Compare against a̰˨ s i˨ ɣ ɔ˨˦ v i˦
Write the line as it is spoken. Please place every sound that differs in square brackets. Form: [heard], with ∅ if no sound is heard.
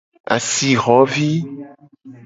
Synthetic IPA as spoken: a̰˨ s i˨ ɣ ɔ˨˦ v i˦